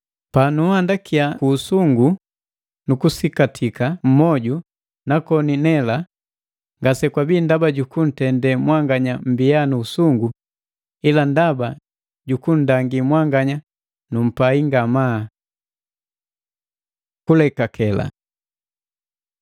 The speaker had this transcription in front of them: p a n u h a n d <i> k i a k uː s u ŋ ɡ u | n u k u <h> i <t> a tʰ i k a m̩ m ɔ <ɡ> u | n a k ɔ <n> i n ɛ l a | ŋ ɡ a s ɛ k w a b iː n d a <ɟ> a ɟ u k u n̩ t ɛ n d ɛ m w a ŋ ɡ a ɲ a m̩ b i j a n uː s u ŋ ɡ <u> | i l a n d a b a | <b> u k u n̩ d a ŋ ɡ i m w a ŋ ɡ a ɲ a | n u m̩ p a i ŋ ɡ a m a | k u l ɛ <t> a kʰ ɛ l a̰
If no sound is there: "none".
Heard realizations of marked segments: a, s, k, ɟ, n, b, u, ɟ, k

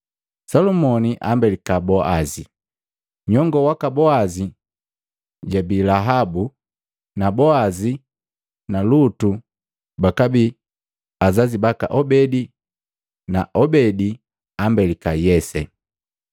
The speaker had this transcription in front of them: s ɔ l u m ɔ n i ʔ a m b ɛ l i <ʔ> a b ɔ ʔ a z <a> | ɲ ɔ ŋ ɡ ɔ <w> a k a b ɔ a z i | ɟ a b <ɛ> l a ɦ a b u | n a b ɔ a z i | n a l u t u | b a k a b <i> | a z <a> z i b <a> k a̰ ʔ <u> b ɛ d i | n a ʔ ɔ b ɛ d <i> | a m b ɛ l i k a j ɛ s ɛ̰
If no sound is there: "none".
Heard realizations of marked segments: k, i, w, i, i, a, a, ɔ, i

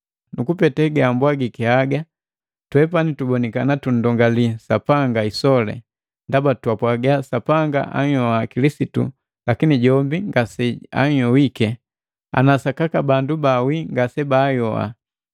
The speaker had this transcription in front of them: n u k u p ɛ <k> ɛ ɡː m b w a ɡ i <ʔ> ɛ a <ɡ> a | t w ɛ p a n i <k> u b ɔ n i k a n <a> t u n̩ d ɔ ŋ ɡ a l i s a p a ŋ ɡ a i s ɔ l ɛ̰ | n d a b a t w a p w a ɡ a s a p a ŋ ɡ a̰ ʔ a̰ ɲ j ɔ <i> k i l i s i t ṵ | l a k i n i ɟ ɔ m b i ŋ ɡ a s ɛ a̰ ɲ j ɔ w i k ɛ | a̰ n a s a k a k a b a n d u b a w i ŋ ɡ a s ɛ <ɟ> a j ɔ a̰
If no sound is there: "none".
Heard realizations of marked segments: t, k, ɡ, t, a, a, b

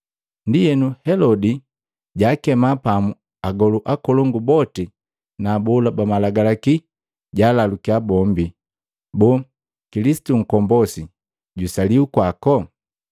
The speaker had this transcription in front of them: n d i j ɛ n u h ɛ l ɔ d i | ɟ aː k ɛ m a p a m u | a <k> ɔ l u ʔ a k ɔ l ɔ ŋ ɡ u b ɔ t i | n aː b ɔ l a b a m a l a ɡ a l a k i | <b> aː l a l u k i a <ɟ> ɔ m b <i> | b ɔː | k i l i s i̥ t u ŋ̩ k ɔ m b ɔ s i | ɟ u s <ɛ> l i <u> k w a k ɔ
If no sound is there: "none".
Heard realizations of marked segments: ɡ, ɟ, b, i, a, u

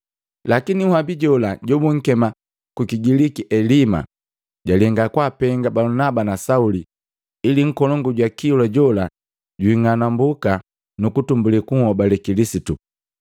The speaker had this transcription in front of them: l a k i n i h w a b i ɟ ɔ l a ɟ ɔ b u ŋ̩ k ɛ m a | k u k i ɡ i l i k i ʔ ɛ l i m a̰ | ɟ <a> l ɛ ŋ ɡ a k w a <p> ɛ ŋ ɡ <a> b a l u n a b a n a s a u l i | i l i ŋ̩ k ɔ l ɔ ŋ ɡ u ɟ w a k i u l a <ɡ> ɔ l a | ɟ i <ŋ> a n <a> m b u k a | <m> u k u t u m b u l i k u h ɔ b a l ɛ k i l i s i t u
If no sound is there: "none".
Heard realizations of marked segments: a, p, a, ɟ, ŋ, a, n

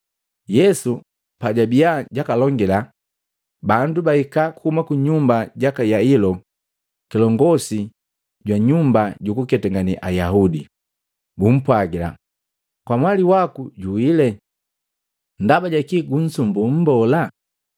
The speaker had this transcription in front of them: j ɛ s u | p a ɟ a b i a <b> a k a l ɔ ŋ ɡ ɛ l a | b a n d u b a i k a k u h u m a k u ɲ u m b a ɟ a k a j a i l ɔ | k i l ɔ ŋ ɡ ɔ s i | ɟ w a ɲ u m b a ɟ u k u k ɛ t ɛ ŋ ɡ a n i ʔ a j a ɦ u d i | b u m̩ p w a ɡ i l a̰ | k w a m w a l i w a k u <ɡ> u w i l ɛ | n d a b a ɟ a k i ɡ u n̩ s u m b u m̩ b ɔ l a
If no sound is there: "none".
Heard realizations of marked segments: ɟ, ɟ

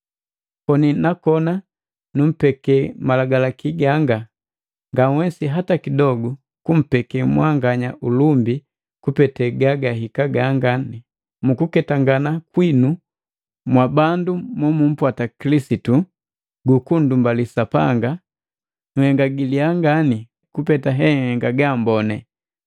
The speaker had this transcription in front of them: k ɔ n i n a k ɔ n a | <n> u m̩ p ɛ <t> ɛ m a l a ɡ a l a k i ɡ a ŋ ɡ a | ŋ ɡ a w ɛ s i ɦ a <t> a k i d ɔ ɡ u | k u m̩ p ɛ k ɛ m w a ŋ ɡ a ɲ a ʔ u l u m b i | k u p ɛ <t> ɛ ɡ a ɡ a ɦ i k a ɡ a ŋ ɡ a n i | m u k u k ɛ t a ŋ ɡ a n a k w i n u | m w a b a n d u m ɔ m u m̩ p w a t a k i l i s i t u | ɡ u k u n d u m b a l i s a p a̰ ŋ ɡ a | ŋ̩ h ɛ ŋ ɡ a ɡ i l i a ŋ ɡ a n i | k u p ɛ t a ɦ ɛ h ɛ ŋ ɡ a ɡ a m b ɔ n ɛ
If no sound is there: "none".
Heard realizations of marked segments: n, k, t, t

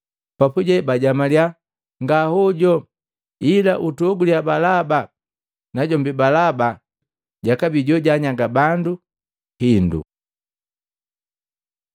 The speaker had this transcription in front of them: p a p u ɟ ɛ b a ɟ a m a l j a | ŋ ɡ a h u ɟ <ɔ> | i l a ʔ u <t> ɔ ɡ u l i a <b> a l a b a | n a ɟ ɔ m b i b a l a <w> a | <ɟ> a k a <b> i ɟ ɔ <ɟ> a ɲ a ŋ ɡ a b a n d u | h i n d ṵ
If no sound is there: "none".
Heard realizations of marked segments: ɔ, t, b, b, ɟ, b, ɟ

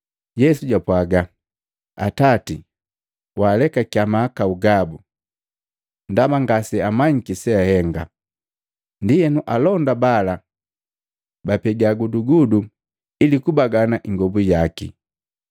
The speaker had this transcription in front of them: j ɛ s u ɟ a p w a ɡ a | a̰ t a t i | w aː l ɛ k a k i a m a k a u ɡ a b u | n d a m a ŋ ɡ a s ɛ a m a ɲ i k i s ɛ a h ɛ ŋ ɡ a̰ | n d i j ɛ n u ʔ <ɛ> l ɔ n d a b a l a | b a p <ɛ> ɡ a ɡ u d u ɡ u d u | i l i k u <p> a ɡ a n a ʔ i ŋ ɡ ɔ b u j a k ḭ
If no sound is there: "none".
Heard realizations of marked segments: a, ɛ, b

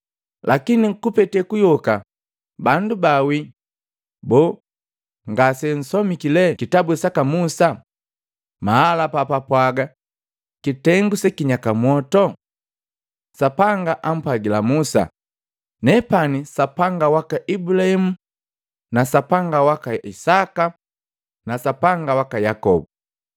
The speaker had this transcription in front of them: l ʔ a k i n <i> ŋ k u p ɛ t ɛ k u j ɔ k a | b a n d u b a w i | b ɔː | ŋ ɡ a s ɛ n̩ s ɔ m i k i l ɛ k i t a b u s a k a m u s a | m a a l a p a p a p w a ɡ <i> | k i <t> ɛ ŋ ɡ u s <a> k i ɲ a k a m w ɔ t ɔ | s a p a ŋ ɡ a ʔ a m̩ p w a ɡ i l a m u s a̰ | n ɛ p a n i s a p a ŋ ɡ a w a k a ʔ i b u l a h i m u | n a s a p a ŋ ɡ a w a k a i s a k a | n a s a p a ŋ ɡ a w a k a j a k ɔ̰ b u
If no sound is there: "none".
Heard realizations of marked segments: i, a, t, ɛ

